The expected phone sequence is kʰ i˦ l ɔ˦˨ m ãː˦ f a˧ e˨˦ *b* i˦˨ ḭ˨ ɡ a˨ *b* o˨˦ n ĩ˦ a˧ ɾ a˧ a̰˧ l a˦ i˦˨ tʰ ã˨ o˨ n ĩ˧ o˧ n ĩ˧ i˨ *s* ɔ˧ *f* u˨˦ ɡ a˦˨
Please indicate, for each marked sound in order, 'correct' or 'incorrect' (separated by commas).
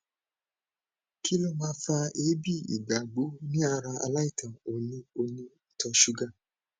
correct, incorrect, incorrect, incorrect